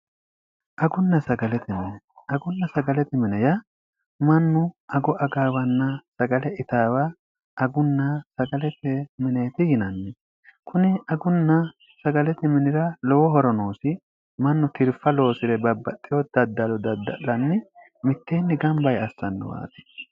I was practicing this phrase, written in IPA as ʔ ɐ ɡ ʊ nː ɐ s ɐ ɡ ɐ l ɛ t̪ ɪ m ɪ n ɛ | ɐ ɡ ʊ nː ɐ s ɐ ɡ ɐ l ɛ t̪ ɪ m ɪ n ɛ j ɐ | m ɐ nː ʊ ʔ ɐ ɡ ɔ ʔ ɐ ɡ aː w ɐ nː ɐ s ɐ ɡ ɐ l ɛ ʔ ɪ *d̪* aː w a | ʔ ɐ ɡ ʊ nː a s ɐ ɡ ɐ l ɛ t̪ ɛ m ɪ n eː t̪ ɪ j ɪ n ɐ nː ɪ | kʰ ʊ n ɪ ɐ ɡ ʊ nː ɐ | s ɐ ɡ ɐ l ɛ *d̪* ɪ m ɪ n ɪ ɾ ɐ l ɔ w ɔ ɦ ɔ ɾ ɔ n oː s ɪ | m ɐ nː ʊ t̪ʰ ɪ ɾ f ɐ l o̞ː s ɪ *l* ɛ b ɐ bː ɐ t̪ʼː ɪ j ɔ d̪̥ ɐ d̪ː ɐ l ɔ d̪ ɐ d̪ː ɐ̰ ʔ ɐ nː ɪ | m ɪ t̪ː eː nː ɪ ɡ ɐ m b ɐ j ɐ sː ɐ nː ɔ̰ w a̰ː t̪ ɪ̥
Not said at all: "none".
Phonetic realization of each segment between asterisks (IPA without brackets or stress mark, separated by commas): t̪, t̪, ɾ